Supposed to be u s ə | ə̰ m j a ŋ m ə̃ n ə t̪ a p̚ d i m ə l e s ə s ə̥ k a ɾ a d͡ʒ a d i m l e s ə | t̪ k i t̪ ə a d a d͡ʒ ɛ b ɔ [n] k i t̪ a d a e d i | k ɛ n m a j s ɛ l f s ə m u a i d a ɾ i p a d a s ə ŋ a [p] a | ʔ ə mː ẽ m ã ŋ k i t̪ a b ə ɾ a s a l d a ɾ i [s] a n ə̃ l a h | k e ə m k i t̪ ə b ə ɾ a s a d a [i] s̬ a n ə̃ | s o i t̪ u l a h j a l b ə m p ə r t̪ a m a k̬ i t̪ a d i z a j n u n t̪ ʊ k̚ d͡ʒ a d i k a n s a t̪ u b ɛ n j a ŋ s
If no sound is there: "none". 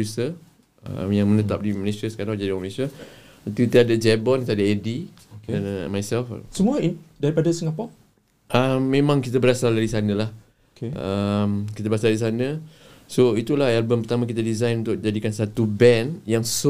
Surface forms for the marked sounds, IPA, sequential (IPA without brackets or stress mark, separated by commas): n, p, s, i